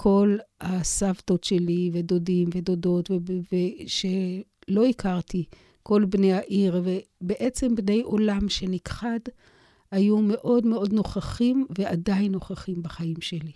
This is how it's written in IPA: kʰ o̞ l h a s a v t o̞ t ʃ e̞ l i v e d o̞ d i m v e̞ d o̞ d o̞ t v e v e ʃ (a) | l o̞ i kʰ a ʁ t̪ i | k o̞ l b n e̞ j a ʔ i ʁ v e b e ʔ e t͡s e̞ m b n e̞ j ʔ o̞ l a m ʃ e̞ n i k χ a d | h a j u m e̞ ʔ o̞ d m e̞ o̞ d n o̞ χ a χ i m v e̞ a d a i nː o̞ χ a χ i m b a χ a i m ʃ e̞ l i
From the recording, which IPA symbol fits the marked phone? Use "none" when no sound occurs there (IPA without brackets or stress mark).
e